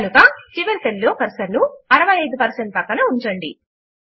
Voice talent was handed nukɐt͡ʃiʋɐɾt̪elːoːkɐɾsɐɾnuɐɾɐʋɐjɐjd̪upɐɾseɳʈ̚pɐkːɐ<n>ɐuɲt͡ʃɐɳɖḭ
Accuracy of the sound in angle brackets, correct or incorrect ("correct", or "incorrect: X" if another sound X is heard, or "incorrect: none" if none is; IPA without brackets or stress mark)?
correct